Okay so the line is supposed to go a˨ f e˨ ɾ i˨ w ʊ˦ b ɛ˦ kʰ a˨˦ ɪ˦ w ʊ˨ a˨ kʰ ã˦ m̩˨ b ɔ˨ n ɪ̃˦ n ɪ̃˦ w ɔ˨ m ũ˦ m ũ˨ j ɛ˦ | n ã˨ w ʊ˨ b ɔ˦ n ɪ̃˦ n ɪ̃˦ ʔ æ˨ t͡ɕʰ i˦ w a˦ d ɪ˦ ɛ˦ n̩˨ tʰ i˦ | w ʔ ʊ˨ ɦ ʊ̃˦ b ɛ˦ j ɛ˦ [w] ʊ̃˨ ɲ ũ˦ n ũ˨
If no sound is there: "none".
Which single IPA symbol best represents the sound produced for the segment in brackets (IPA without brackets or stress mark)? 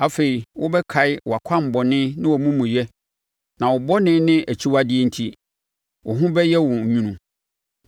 w